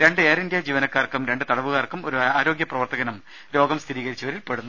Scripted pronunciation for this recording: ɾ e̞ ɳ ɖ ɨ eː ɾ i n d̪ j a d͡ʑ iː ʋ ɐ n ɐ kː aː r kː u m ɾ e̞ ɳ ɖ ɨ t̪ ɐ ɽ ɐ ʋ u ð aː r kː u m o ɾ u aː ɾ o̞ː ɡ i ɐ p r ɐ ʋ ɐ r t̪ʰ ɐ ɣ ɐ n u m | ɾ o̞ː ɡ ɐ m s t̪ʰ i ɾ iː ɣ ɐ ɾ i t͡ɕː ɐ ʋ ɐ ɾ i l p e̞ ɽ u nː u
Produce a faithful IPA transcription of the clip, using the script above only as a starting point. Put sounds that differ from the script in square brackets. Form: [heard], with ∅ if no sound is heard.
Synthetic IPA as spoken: ɾ e̞ ɳ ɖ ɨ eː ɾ i n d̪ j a d͡ʑ iː ʋ ɐ n ɐ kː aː r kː u m ɾ e̞ ɳ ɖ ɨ t̪ ɐ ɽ ɐ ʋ u [ɣ] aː r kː u m o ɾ u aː ɾ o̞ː ɡ [j] ɐ p r ɐ ʋ ɐ r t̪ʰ ɐ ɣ ɐ n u m | ɾ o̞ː ɡ ɐ m s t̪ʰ i ɾ iː ɣ ɐ ɾ i t͡ɕː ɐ ʋ ɐ ɾ i l p e̞ ɽ u nː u

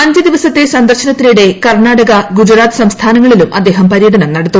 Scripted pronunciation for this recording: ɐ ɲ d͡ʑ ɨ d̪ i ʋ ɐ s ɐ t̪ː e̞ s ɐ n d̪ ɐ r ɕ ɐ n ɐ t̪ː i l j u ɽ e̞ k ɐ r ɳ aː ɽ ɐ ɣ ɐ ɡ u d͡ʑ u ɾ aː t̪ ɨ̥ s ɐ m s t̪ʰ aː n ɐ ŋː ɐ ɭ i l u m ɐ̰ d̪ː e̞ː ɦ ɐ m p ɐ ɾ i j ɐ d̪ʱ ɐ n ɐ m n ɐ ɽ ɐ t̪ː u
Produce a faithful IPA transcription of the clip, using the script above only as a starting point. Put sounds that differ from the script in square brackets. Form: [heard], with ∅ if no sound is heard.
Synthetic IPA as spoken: ɐ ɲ d͡ʑ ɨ d̪ i ʋ ɐ s ɐ t̪ː e̞ s ɐ n d̪ ɐ r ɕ ɐ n ɐ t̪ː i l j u ɽ e̞ k ɐ r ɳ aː ɽ ɐ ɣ ɐ ɡ u d͡ʑ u ɾ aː t̪ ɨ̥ s ɐ m s t̪ʰ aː n ɐ ŋː ɐ ɭ i l u m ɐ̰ d̪ː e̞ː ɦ ɐ m p ɐ ɾ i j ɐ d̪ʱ ɐ n ɐ m n ɐ ɽ ɐ t̪ː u

